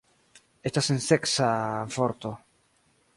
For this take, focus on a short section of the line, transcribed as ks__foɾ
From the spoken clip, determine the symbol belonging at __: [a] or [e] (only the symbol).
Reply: a